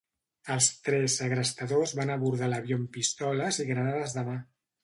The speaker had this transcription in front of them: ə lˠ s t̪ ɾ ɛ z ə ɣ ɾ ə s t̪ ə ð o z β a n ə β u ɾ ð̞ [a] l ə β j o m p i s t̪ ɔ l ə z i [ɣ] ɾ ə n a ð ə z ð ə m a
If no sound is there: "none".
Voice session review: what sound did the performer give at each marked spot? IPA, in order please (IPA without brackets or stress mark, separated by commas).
a, ɣ